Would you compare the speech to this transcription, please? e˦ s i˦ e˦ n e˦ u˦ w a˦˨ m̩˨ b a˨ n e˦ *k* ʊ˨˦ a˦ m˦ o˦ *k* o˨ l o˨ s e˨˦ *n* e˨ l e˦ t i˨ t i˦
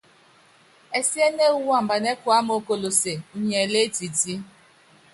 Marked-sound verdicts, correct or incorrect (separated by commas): correct, correct, incorrect